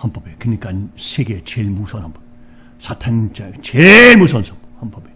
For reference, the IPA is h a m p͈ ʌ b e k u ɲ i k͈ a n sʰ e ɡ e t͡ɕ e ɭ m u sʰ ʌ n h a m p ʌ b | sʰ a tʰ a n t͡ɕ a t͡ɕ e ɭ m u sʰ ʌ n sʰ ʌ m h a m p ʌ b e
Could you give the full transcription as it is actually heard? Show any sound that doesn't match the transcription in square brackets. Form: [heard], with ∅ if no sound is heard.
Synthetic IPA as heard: h a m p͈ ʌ b e k [ɯ] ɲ i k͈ a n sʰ e ɡ e t͡ɕ e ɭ m u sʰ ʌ n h a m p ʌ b | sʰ a tʰ a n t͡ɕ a t͡ɕ e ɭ m u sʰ ʌ n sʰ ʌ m h a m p ʌ b e